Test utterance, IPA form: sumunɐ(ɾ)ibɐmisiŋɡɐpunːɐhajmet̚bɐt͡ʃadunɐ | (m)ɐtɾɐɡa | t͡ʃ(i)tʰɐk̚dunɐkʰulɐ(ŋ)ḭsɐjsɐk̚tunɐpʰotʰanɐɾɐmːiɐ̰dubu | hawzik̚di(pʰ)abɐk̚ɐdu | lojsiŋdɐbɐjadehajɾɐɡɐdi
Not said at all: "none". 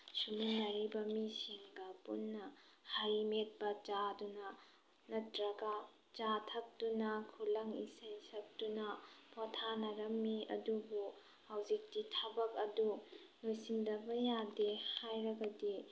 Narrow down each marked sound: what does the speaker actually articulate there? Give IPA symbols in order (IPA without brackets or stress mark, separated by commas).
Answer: ɾ, n, a, ŋ, tʰ